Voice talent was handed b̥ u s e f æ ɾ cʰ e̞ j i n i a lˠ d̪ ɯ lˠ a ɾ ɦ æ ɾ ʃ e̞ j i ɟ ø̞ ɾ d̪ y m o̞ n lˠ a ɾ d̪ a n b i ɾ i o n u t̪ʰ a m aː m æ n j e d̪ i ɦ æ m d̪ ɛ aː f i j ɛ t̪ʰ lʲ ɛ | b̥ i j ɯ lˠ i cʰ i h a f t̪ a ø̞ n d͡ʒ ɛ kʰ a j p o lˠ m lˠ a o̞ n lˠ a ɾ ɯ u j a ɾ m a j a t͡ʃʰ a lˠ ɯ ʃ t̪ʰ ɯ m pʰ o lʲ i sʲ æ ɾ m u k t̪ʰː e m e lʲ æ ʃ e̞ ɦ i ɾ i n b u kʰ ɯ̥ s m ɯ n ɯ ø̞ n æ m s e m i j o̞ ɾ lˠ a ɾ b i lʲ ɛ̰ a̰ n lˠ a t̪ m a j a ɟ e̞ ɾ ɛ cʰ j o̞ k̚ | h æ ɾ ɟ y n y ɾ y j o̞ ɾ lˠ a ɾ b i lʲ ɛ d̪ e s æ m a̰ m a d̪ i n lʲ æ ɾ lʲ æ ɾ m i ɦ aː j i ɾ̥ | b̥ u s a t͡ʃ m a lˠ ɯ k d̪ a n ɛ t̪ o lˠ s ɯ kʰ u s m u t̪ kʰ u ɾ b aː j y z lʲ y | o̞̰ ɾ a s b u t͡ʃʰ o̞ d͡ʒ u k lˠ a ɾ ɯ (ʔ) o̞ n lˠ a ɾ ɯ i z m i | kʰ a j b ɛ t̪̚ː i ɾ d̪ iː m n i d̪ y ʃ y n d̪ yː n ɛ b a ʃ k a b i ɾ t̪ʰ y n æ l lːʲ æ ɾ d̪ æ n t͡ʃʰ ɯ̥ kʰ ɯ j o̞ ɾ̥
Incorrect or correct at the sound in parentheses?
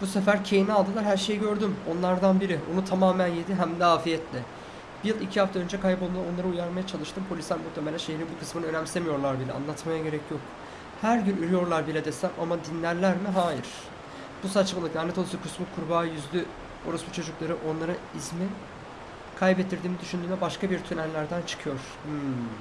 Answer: correct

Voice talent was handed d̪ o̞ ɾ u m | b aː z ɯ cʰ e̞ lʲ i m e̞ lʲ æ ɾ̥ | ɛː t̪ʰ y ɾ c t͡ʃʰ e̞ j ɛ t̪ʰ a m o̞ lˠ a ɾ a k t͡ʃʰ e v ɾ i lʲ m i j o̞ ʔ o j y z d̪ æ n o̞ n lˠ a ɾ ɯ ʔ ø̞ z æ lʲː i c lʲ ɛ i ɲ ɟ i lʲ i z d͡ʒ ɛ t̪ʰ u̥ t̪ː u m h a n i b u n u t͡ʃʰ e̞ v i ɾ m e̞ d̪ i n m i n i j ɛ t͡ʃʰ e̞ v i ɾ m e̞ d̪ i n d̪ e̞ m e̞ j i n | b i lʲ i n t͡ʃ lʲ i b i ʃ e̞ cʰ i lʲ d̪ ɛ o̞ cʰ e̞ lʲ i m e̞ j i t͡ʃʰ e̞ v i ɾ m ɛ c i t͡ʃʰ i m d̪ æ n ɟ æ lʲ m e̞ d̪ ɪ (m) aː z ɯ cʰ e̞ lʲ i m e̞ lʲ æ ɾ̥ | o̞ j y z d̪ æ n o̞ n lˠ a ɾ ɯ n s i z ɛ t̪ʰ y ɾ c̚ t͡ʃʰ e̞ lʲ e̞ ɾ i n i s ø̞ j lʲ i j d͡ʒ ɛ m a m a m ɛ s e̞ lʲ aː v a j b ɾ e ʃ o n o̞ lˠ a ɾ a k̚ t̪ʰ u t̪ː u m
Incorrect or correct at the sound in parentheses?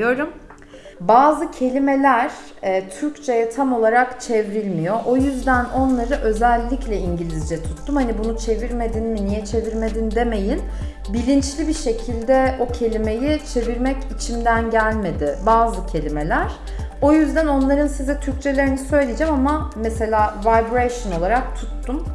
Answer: incorrect: b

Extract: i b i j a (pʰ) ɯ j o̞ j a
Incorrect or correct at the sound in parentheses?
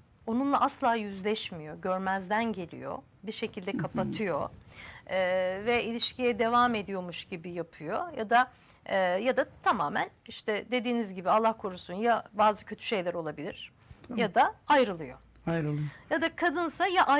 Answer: correct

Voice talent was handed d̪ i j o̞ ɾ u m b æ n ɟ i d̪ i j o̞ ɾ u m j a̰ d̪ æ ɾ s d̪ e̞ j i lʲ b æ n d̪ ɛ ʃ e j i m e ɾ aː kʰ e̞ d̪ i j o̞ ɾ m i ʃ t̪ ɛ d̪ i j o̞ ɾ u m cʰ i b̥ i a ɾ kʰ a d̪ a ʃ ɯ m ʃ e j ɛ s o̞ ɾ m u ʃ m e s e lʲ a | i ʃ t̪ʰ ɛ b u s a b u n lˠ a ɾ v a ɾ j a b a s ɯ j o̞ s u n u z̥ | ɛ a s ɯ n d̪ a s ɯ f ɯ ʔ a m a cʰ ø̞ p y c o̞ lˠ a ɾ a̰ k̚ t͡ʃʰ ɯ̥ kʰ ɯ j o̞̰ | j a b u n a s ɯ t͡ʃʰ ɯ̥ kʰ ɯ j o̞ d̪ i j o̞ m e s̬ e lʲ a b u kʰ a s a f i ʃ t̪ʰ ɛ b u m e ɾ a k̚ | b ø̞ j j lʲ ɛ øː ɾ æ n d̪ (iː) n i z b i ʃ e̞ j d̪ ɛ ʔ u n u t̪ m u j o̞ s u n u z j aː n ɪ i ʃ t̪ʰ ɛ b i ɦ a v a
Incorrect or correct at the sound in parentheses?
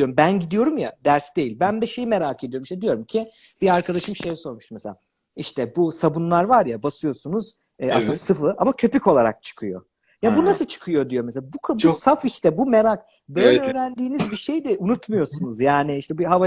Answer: correct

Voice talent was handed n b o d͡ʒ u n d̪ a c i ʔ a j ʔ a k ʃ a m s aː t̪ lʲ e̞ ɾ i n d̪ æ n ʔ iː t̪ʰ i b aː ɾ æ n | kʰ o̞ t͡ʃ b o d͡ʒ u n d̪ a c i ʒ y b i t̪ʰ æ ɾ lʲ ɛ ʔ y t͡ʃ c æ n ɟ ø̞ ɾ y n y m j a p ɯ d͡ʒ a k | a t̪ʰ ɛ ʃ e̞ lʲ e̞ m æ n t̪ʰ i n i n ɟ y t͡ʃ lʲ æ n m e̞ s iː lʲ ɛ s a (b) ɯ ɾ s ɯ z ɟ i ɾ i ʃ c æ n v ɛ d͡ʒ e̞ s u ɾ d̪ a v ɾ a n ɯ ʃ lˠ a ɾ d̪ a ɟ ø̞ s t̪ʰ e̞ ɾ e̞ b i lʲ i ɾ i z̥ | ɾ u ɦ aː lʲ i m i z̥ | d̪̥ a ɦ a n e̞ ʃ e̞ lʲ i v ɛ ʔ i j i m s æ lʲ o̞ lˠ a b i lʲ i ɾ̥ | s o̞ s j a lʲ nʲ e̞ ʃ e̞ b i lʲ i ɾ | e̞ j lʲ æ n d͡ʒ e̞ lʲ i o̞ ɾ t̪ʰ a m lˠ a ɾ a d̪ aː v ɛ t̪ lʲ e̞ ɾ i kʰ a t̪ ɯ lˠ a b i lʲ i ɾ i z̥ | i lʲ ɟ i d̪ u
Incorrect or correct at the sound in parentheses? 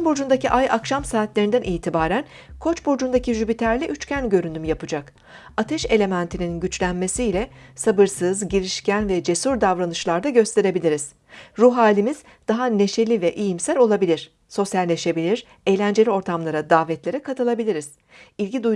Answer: correct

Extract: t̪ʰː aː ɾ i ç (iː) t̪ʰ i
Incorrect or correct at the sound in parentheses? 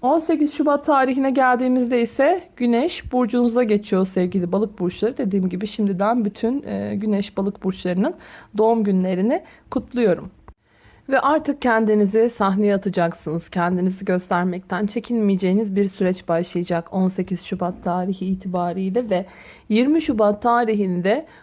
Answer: correct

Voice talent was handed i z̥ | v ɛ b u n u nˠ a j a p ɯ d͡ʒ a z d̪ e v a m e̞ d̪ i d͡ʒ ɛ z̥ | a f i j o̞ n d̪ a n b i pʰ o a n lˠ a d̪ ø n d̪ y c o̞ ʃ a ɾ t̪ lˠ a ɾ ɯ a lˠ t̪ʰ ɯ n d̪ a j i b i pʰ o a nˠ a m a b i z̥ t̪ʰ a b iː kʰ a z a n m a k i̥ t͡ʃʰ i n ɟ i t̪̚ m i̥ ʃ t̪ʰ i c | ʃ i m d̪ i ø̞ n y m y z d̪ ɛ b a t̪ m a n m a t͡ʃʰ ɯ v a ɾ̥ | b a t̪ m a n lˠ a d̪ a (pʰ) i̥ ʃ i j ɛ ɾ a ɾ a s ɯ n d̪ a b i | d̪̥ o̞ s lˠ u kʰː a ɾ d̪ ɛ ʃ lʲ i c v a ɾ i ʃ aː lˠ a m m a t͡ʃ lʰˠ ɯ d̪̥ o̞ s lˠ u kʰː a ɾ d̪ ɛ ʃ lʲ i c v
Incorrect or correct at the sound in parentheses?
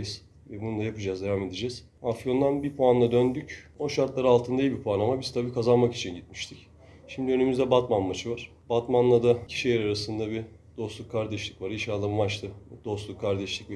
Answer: incorrect: cʰ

